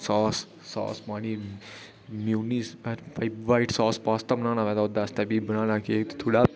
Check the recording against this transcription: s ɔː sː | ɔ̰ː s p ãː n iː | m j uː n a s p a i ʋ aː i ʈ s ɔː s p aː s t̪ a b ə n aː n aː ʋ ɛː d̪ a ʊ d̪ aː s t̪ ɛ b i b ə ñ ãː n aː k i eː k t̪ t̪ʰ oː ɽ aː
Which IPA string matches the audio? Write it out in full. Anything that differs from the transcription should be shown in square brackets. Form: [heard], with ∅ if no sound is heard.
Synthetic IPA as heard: s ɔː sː | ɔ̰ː s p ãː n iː | m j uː n [i] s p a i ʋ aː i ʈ s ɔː s p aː s t̪ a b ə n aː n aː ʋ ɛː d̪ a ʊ d̪ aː s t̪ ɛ b i b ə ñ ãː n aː k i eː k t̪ t̪ʰ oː ɽ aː

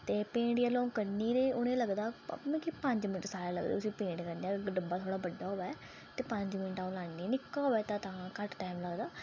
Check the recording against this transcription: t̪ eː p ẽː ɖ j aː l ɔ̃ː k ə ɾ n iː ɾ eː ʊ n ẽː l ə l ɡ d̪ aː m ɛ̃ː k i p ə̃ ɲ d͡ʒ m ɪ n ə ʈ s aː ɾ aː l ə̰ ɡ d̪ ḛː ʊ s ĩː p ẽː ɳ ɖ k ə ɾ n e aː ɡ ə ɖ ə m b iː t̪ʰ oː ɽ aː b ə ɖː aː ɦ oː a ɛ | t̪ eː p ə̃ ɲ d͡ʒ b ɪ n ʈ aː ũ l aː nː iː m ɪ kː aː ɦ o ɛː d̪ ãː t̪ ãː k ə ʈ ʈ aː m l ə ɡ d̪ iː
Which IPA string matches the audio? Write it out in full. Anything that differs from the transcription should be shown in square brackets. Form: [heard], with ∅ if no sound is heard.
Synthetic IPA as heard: t̪ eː p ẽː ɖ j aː l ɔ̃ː k ə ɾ n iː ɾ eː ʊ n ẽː l ə [∅] ɡ d̪ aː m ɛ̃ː k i p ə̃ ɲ d͡ʒ m ɪ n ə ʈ s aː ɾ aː l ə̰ ɡ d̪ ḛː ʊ s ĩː p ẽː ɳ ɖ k ə ɾ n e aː ɡ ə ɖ ə m b [aː] t̪ʰ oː ɽ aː b ə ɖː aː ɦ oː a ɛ | t̪ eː p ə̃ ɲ d͡ʒ [m] ɪ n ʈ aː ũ l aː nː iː [n] ɪ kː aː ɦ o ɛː [t̪] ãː t̪ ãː k ə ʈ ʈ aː m l ə ɡ d̪ [aː]

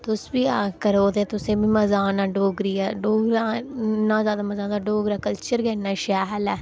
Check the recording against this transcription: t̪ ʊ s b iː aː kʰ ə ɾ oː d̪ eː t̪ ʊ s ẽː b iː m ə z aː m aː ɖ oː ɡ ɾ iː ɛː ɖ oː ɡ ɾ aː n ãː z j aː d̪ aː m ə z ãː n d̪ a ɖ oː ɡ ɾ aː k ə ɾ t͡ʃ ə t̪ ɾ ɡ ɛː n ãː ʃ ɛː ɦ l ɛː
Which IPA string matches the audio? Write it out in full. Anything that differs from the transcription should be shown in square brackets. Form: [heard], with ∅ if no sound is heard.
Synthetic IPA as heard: t̪ ʊ s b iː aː [k] ə ɾ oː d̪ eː t̪ ʊ s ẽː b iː m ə z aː [n] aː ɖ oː ɡ ɾ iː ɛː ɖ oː ɡ ɾ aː n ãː z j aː d̪ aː m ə z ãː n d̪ a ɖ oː ɡ ɾ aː k ə [l] t͡ʃ ə [∅] ɾ ɡ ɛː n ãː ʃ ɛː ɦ l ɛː

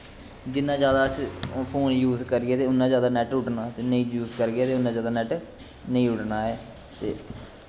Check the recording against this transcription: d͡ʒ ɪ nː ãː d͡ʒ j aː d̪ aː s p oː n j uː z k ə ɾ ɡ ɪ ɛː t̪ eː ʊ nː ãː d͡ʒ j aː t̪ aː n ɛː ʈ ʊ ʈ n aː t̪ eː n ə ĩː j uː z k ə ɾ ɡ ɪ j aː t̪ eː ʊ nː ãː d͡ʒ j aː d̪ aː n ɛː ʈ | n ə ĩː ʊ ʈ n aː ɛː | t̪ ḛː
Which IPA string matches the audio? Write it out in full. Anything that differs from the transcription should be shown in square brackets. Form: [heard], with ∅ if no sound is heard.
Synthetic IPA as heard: d͡ʒ ɪ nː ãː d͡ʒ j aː d̪ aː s [pʰ] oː n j uː z k ə ɾ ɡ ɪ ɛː t̪ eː ʊ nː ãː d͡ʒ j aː [d̪] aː n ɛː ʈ ʊ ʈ n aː t̪ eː n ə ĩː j uː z k ə ɾ ɡ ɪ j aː t̪ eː ʊ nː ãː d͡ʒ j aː d̪ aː n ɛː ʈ | n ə ĩː ʊ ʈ n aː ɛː | t̪ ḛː

